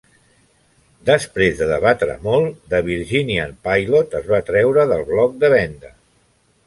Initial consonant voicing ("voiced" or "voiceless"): voiced